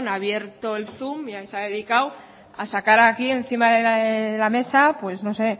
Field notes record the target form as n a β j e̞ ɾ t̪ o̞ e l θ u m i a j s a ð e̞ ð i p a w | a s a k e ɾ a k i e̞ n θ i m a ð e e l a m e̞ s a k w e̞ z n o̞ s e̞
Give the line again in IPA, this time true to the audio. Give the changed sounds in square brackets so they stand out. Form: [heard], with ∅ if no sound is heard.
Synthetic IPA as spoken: n a β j e̞ ɾ t̪ o̞ e l θ u m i a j s a ð e̞ ð i [k] a w | a s a k [a] ɾ a k i e̞ n θ i m a ð e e l a m e̞ s a [p] w e̞ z n o̞ s e̞